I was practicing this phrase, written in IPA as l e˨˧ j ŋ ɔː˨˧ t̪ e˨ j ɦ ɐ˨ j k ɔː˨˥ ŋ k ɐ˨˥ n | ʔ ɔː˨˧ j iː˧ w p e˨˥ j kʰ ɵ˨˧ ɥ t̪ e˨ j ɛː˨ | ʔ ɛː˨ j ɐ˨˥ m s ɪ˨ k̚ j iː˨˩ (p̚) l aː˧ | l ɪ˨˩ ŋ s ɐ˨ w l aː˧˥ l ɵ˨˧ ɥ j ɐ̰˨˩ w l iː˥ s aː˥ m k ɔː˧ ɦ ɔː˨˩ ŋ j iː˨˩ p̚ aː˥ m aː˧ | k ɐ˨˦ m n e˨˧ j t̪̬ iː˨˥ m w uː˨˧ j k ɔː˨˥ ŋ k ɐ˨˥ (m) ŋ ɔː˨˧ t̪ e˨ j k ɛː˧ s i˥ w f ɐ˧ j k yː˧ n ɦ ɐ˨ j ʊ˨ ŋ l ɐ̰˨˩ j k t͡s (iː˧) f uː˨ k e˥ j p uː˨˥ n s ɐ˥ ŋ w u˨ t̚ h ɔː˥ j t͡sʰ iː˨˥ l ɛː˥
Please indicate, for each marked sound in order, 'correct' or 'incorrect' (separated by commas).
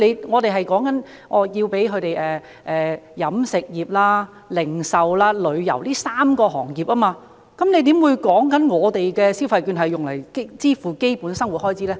correct, incorrect, incorrect